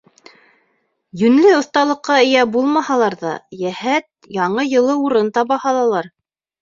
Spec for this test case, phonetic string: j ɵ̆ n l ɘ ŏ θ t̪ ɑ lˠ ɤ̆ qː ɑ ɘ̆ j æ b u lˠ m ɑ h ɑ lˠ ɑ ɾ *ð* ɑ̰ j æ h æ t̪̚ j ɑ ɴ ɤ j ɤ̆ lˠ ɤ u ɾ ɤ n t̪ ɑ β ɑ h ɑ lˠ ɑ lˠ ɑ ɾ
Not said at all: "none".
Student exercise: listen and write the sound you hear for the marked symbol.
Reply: ð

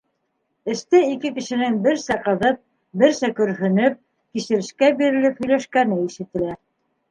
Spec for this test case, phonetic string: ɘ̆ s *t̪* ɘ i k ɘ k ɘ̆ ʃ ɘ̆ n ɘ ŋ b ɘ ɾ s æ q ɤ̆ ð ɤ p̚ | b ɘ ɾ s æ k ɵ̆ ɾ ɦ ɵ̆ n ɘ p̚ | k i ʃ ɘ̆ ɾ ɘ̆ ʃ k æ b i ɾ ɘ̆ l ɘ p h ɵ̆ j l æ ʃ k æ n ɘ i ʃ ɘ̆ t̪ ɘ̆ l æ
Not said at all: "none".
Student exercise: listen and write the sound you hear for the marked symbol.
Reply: t̪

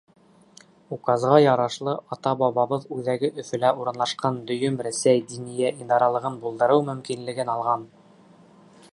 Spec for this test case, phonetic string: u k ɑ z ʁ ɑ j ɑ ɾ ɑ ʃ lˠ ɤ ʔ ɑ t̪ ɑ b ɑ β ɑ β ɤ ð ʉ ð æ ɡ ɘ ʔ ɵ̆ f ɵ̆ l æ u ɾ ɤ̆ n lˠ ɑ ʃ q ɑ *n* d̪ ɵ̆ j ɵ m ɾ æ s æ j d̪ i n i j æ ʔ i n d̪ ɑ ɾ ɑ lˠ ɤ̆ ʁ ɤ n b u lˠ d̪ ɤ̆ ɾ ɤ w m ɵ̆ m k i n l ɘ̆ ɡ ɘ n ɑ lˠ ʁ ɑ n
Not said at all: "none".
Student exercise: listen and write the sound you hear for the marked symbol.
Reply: n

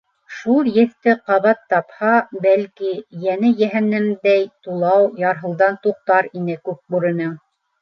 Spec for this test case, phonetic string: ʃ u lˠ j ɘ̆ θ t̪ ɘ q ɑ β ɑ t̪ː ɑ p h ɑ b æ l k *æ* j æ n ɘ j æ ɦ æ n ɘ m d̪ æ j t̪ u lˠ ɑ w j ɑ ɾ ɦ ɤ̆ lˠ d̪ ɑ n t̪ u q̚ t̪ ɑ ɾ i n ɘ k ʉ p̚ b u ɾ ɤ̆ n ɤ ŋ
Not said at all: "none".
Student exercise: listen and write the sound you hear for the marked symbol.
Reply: i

